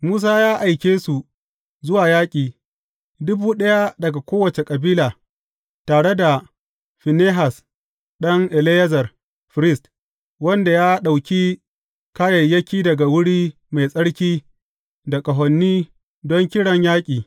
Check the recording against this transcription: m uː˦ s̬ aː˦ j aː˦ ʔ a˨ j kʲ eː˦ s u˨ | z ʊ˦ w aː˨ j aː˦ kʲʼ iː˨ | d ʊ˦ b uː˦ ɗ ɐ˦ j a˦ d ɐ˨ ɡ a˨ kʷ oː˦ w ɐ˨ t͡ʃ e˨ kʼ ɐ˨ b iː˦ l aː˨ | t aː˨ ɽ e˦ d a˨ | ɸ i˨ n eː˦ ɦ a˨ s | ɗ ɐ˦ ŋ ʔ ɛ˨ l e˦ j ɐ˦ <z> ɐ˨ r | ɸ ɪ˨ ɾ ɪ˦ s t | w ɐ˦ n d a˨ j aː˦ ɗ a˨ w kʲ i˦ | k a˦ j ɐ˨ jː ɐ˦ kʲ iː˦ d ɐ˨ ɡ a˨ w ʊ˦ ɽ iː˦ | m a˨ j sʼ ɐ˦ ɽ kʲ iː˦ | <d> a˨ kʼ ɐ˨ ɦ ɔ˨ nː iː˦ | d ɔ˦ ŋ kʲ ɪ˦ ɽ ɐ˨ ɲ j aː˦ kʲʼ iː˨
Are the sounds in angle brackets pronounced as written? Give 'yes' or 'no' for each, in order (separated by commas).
yes, yes